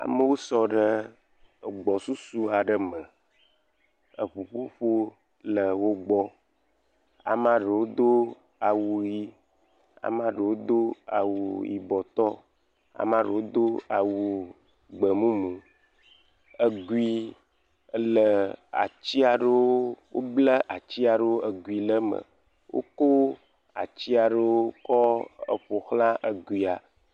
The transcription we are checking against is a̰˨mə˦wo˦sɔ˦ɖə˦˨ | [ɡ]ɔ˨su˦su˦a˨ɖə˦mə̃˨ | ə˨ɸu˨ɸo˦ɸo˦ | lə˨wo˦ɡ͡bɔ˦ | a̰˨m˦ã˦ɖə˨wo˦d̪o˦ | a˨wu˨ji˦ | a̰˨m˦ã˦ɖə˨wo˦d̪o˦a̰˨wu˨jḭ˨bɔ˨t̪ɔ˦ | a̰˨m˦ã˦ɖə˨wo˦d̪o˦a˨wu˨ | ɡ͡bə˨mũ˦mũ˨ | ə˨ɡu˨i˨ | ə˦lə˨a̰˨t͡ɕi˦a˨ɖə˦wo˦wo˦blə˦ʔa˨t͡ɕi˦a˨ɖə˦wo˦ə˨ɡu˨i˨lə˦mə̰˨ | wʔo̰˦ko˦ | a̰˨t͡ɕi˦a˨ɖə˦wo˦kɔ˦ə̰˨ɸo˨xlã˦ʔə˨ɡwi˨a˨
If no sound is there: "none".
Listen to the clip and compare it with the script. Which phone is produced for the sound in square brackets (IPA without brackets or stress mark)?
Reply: ɡ͡b